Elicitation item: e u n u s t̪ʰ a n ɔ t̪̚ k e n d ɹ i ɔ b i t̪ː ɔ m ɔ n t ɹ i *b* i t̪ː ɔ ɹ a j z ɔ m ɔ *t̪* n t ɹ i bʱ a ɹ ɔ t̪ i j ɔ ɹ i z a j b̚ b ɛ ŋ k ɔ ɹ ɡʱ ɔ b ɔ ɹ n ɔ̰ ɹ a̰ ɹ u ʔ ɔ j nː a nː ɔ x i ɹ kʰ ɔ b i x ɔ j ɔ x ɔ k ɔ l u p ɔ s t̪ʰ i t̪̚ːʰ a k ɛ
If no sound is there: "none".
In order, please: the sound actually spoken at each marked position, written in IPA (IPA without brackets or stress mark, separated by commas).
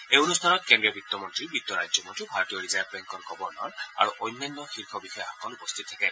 b, none